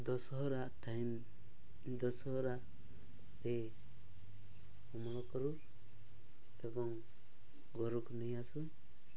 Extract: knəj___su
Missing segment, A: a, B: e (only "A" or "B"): A